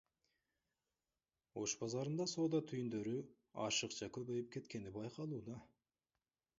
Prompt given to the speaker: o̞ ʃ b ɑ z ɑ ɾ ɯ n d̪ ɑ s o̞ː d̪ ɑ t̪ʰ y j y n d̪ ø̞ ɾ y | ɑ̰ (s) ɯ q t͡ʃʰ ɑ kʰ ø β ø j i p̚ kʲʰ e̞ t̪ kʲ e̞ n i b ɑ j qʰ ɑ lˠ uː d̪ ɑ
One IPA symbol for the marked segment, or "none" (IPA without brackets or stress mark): ʃ